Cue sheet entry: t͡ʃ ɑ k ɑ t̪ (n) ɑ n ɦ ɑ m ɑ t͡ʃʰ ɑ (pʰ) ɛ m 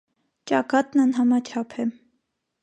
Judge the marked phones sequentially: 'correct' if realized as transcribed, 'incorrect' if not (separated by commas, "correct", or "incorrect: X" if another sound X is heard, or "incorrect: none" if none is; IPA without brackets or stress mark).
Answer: correct, correct